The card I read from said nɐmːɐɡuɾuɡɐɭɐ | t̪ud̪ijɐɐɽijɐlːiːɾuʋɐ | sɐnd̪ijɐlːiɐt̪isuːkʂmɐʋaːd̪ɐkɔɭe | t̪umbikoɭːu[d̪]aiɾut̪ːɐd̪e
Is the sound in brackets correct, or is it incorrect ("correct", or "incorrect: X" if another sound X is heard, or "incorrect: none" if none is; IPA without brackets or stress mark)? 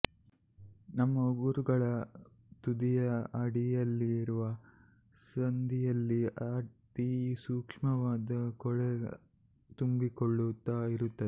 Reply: incorrect: t̪